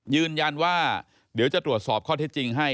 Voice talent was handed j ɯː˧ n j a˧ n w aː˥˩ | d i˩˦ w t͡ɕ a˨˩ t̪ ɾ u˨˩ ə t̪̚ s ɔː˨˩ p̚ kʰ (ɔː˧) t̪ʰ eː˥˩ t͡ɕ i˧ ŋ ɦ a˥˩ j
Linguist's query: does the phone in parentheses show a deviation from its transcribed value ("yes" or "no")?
yes